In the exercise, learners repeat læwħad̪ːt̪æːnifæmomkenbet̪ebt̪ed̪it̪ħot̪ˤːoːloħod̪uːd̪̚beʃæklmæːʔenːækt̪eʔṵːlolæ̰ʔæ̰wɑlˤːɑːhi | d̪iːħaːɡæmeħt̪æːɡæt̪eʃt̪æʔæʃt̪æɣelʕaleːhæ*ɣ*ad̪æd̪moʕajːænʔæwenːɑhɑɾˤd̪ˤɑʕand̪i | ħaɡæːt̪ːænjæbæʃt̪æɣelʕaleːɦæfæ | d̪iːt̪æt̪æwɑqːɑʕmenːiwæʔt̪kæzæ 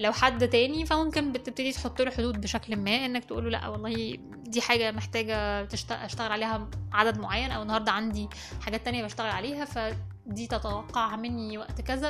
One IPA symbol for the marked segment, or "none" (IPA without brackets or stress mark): ʕ